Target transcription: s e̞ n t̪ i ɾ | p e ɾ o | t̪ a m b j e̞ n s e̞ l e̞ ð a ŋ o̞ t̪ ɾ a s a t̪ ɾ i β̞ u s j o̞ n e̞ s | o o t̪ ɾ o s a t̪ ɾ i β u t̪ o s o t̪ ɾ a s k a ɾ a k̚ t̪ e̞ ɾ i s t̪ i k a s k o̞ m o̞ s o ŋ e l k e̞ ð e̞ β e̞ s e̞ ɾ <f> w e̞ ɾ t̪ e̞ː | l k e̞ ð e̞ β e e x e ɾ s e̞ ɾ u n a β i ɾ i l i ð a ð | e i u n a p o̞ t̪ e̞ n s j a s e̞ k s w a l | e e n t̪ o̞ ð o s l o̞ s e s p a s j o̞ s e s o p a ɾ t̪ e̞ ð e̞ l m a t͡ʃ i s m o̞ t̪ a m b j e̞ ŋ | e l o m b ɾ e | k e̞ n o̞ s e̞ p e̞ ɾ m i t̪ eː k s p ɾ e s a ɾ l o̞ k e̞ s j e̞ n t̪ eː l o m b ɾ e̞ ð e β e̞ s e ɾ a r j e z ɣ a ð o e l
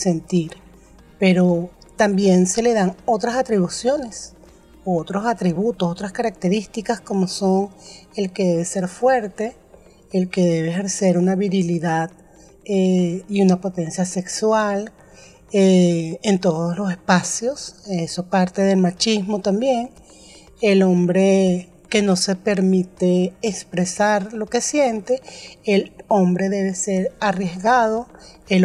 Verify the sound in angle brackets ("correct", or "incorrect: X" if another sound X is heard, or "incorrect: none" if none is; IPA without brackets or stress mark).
correct